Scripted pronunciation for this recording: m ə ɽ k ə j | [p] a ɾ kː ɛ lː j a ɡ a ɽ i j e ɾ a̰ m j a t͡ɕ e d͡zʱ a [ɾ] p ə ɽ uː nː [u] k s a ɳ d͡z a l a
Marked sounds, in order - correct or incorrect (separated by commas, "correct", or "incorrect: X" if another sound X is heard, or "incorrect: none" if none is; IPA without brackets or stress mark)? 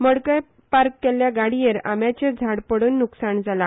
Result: correct, incorrect: ɽ, correct